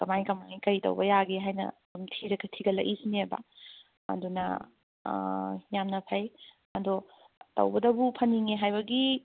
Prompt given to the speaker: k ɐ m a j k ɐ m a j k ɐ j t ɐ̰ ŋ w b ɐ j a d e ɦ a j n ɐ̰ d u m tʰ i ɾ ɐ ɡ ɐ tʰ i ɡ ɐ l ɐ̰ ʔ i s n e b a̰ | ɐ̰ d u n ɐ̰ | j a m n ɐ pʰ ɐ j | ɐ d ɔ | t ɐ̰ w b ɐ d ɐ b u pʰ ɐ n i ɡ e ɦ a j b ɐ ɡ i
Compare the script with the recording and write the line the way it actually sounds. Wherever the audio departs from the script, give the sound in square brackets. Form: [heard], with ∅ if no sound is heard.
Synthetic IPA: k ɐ m a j k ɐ m a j k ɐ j t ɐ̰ [∅] w b ɐ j a [ɡ] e ɦ a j n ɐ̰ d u m tʰ i ɾ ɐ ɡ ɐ tʰ i ɡ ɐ l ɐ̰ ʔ i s n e b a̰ | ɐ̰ d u n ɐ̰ | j a m n ɐ pʰ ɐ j | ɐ d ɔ | t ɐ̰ w b ɐ d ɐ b u pʰ ɐ n i [ŋ] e ɦ a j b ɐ ɡ i